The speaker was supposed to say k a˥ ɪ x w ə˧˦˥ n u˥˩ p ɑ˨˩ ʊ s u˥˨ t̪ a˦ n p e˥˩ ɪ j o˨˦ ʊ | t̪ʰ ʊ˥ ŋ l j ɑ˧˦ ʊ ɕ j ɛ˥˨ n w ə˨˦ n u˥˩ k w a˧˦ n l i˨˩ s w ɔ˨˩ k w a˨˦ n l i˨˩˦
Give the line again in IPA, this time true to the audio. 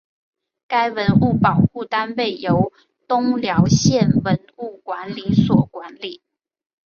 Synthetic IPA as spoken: k a˥ ɪ w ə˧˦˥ n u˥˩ p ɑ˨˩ ʊ x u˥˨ t̪ a˦ n p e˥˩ ɪ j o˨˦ ʊ | t̪ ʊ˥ ŋ l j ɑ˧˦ ʊ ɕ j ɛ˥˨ n w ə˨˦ n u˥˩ k w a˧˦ n l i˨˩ s w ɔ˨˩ k w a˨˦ n l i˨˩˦